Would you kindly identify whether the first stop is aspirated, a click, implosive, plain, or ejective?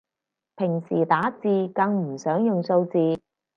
aspirated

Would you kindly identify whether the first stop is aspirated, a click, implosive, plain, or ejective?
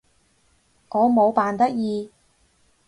plain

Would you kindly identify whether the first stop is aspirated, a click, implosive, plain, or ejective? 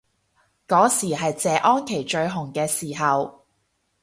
plain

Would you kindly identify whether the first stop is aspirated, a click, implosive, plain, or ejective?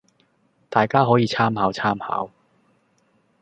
plain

